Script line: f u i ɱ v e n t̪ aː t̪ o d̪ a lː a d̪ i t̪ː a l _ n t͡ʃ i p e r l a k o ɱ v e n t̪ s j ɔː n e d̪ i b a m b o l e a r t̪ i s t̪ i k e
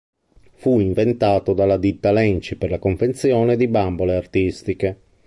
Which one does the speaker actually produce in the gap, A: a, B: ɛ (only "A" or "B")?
B